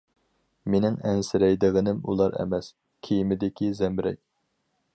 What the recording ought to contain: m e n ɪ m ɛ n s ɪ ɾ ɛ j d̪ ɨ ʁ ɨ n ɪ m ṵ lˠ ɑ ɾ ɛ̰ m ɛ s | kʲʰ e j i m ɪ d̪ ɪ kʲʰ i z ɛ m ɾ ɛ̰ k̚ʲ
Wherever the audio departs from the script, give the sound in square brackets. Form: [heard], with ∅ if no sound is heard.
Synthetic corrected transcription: m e n ɪ [ŋ] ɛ n s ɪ ɾ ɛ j d̪ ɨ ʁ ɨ n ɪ m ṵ lˠ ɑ ɾ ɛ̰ m ɛ s | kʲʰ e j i m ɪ d̪ ɪ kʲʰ i z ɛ m ɾ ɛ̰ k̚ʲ